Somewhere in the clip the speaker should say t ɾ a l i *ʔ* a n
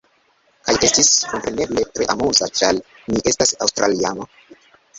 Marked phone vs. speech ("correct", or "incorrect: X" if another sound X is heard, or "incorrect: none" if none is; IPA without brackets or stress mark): incorrect: none